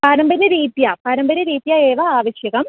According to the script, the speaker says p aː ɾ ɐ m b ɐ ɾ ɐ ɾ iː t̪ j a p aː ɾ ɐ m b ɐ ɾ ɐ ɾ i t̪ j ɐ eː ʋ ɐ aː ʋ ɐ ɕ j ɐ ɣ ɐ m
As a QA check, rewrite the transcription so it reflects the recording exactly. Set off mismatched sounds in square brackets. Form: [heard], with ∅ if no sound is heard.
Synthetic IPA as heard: p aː ɾ ɐ m b ɐ ɾ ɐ ɾ iː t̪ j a p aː ɾ ɐ m b ɐ ɾ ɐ ɾ [iː] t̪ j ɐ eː ʋ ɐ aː ʋ ɐ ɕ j ɐ ɣ ɐ m